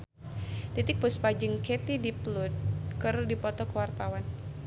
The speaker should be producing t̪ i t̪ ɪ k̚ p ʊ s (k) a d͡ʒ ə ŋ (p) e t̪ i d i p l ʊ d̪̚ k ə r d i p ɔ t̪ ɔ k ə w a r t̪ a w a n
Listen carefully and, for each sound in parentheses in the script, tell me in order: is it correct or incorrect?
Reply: incorrect: p, incorrect: k

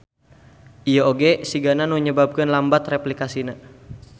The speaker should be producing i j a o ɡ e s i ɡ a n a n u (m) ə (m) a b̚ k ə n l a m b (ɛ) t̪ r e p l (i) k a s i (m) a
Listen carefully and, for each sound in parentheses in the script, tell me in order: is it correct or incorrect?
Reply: incorrect: ɲ, incorrect: b, incorrect: a, correct, incorrect: n

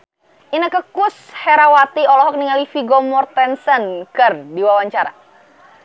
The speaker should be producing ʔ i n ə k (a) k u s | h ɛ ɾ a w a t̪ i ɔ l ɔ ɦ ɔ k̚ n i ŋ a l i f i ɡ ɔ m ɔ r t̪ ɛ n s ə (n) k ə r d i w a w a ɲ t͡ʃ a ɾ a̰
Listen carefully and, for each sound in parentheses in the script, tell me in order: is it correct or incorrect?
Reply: incorrect: ə, correct

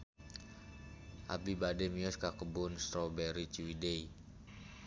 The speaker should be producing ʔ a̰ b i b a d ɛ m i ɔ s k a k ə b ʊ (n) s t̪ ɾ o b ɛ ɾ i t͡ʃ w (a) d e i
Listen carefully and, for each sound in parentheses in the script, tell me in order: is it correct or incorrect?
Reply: correct, incorrect: i

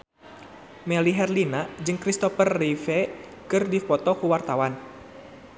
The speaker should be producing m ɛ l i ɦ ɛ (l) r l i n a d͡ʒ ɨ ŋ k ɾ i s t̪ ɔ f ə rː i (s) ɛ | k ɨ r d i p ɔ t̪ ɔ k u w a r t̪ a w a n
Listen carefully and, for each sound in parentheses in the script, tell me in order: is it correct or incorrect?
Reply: incorrect: none, incorrect: f

